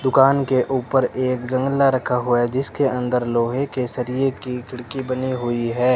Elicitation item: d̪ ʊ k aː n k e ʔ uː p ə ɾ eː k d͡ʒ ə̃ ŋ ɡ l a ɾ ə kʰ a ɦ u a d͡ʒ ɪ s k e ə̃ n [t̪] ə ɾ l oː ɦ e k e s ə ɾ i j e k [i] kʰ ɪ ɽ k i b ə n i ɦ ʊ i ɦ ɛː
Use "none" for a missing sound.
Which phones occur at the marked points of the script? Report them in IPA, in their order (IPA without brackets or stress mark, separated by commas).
d̪, i